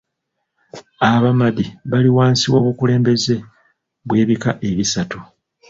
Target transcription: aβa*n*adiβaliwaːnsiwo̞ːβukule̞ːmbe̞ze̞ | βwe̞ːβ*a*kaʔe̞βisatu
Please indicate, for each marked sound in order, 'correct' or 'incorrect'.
incorrect, incorrect

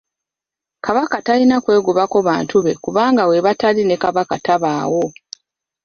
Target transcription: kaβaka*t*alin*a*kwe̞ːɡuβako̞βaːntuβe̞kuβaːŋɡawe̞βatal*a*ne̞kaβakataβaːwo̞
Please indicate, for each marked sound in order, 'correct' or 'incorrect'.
correct, correct, incorrect

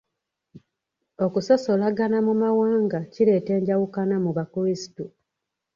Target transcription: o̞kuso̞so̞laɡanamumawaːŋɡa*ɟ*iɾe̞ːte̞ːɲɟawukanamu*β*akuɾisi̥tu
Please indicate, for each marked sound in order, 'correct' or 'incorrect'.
incorrect, correct

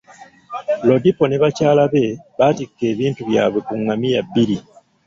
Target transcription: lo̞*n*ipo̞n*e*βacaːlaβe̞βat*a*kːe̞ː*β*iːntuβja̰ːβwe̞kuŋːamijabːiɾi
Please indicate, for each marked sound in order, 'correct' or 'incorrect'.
incorrect, correct, incorrect, correct

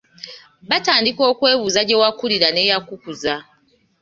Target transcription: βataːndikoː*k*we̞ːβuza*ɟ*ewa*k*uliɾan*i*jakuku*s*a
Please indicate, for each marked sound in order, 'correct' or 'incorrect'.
correct, correct, correct, incorrect, incorrect

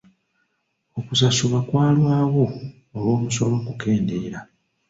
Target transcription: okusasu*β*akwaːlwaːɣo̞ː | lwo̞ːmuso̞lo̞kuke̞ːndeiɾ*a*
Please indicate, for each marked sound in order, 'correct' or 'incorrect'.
correct, correct

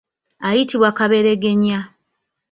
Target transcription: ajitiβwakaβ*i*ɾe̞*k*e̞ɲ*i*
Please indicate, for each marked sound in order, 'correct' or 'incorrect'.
incorrect, incorrect, incorrect

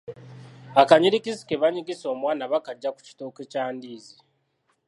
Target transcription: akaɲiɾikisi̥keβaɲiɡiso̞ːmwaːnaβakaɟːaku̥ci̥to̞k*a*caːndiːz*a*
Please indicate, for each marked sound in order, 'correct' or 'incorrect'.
incorrect, incorrect

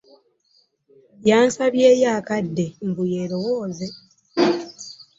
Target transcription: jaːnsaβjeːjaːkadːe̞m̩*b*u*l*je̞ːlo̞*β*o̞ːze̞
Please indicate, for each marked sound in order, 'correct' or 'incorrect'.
correct, incorrect, incorrect

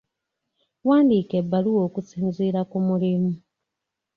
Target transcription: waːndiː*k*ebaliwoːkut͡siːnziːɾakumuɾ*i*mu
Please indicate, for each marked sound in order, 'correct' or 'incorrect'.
correct, correct

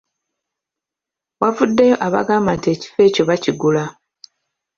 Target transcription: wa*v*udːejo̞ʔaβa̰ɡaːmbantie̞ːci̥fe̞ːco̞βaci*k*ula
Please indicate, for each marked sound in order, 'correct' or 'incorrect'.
correct, incorrect

